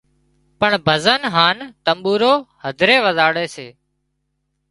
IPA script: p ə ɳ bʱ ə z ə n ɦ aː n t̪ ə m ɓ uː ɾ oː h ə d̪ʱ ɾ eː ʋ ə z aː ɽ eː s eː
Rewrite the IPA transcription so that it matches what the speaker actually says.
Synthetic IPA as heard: p ə ɳ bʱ ə z ə n ɦ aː n t̪ ə m ɓ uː ɾ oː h ə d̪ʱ ɾ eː ʋ ə z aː ɽ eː s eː